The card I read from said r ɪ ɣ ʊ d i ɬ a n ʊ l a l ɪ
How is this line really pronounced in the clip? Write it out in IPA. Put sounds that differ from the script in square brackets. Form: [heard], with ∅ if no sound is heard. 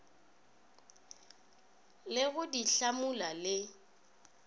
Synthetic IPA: [l] ɪ ɣ ʊ d i ɬ a [m] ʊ l a l ɪ